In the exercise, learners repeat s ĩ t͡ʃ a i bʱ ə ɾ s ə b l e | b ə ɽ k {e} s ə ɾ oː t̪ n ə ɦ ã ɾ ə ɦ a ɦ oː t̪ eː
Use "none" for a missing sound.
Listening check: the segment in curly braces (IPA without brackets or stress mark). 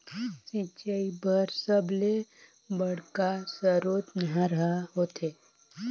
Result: a